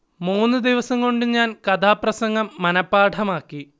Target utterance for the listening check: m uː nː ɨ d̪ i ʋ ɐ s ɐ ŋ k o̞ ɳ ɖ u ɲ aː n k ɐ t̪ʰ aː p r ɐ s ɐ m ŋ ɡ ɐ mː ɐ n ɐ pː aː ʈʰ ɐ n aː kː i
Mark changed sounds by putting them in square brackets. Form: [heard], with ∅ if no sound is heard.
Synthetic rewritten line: m uː nː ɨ d̪ i ʋ ɐ s ɐ ŋ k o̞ ɳ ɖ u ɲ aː n k ɐ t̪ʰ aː p r ɐ s ɐ [∅] ŋ ɡ ɐ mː ɐ n ɐ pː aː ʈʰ ɐ [m] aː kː i